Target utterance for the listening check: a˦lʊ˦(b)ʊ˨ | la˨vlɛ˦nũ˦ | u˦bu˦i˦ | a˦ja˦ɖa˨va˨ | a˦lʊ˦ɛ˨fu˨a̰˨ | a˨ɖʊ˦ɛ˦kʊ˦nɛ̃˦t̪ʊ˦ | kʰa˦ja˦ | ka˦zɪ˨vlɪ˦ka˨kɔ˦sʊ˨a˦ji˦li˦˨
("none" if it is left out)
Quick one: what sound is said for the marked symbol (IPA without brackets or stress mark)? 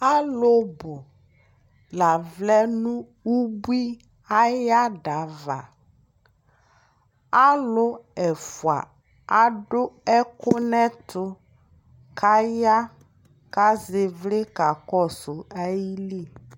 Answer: b